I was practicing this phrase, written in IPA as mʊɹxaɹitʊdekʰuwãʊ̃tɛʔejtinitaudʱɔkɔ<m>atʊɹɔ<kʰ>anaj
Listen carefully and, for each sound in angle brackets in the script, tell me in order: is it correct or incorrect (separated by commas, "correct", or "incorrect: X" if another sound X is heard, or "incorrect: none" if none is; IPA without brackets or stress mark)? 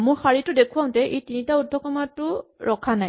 correct, correct